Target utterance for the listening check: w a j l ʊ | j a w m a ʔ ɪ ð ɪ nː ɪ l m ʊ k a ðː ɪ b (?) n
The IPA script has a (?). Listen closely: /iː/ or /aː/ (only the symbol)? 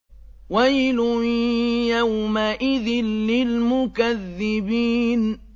iː